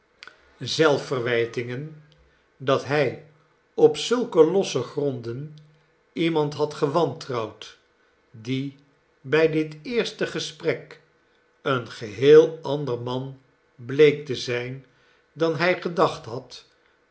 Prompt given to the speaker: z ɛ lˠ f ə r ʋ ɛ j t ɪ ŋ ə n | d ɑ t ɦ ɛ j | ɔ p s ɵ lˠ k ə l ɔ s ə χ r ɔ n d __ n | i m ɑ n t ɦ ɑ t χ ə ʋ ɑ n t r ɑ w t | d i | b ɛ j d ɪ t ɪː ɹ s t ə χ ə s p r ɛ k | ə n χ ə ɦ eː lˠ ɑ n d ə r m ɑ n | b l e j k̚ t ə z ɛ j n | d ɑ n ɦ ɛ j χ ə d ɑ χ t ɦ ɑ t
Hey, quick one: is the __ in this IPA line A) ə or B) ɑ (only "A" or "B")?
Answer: A